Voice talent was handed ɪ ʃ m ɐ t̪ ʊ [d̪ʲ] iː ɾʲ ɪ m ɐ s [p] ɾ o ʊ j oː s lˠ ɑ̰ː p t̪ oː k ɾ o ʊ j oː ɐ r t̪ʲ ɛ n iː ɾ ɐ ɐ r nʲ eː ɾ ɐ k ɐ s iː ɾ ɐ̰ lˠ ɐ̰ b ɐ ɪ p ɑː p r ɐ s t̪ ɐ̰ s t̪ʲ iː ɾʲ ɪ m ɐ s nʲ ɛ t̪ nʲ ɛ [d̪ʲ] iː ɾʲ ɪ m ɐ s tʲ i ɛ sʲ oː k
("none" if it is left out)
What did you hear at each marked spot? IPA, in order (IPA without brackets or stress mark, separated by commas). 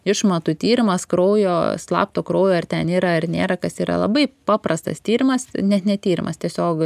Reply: t̪ʲ, k, t̪ʲ